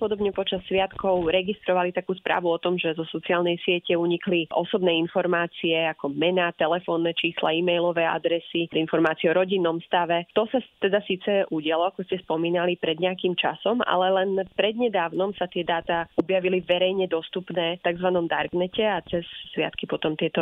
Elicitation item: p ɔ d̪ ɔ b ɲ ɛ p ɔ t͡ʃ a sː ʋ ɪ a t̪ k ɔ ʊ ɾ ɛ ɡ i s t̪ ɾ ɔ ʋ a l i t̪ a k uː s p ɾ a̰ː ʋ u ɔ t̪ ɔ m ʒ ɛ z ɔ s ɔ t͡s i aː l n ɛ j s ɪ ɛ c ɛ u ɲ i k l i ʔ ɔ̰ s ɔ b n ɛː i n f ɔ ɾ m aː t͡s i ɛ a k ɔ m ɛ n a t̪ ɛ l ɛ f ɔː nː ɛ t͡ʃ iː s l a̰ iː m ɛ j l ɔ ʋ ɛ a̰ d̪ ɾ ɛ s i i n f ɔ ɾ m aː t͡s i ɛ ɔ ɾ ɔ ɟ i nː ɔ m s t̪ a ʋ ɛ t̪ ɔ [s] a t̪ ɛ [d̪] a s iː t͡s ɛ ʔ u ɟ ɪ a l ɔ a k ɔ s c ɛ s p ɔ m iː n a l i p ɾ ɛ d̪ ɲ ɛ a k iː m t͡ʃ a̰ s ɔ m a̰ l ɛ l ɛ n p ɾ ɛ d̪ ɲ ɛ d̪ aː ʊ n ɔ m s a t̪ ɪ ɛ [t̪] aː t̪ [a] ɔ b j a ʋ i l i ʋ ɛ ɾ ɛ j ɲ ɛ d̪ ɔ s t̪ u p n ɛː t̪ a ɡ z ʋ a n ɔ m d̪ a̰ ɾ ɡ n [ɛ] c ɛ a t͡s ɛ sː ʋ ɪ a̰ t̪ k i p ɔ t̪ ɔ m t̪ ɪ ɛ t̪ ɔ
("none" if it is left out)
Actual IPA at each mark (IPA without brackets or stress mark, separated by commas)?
s, d̪, d̪, a, ɛ